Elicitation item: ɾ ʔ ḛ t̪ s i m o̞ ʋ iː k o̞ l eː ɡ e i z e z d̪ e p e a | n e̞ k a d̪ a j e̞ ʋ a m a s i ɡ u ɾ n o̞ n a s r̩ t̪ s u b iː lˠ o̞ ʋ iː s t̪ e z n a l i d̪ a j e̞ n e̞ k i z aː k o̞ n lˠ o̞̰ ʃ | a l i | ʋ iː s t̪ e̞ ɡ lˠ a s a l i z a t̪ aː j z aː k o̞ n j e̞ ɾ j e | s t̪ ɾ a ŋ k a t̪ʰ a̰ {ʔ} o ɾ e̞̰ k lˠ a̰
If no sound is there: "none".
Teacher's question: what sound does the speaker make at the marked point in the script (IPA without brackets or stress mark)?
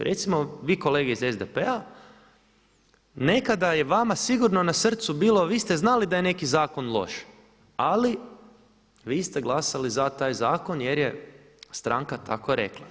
k